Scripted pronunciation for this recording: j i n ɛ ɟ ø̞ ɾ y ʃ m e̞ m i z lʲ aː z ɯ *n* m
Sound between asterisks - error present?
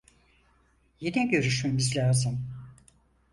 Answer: yes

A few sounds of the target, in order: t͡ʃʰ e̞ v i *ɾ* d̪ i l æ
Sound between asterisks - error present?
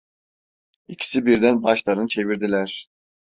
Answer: no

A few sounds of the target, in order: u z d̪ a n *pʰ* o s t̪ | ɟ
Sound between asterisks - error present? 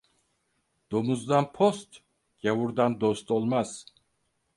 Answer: no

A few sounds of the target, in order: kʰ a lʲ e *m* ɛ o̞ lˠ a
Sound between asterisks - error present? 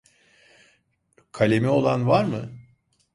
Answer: no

